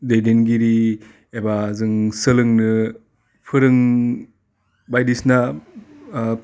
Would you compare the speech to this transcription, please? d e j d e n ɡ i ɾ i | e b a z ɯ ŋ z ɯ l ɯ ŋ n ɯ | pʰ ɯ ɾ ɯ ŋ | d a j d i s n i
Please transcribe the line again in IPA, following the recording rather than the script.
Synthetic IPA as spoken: d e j d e n ɡ i ɾ i | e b a z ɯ ŋ s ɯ l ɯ ŋ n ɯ | pʰ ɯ ɾ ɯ ŋ | b a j d i s n a